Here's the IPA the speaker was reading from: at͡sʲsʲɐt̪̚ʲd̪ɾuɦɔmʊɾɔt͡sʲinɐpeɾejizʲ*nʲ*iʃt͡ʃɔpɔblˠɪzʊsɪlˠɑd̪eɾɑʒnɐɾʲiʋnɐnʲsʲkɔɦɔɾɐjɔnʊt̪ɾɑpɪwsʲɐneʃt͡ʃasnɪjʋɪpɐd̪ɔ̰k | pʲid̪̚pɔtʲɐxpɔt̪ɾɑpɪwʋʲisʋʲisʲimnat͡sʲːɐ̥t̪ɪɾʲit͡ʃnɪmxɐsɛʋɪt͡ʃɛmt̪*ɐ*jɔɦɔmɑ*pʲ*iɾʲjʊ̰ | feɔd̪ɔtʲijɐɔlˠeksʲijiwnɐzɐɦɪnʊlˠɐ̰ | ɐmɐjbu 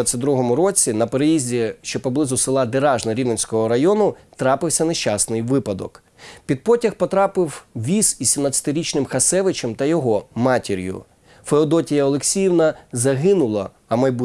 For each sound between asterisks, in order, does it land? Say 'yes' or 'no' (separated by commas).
no, yes, no